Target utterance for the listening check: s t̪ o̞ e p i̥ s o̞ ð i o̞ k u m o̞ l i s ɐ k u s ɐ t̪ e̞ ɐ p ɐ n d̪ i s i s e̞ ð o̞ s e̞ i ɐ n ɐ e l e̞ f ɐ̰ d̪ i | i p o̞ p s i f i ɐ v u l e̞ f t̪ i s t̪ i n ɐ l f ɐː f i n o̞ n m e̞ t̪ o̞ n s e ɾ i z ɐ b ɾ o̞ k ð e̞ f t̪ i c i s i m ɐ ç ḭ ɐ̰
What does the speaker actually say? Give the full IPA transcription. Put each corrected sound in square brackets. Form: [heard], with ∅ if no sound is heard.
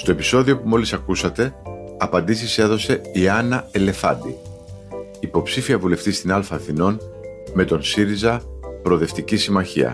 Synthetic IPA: s t̪ o̞ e p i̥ s o̞ ð i o̞ [p] u m o̞ l i s ɐ k u s ɐ t̪ e̞ ɐ p ɐ n d̪ i s i s e̞ ð o̞ s e̞ i ɐ n ɐ e l e̞ f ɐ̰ d̪ i | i p o̞ p s i f i ɐ v u l e̞ f t̪ i s t̪ i n ɐ l f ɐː [θ] i n o̞ n m e̞ t̪ o̞ n s [i] ɾ i z ɐ [p] ɾ o̞ [∅] ð e̞ f t̪ i c i s i m ɐ ç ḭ ɐ̰